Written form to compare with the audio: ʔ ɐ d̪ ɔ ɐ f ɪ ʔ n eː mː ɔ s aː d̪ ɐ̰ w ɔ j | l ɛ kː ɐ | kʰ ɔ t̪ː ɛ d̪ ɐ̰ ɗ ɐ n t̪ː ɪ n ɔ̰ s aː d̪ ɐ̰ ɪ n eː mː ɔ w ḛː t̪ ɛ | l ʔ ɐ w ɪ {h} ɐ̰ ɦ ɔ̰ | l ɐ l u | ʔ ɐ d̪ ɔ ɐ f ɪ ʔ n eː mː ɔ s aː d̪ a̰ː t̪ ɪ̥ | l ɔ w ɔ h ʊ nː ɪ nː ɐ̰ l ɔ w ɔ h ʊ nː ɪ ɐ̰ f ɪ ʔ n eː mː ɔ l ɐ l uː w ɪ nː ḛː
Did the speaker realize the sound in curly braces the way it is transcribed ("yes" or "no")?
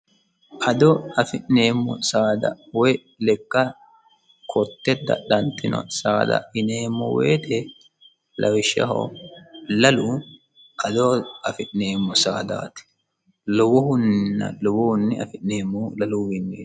no